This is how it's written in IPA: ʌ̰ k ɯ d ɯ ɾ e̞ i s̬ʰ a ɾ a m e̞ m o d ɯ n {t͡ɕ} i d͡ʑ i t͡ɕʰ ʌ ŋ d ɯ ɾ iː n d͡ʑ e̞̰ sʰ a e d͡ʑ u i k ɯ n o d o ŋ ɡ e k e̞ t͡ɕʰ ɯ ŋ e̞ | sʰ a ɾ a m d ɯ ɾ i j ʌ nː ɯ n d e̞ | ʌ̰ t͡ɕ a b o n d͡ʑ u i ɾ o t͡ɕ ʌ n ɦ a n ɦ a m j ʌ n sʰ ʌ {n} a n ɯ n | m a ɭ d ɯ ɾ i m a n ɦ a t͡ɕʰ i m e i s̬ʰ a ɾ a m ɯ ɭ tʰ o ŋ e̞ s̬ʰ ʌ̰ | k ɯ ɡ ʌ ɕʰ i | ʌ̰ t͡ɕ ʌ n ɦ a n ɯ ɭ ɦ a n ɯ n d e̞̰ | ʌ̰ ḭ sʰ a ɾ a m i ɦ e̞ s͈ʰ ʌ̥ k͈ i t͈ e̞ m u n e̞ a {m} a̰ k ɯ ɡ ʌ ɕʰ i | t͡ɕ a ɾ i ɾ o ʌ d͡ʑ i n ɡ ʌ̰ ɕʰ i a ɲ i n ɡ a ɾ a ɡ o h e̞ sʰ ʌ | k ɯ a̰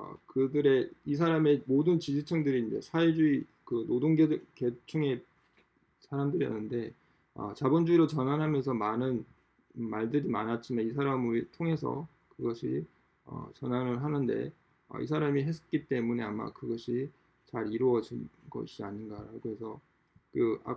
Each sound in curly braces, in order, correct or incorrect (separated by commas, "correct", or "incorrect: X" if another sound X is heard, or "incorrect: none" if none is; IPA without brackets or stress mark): correct, incorrect: m, correct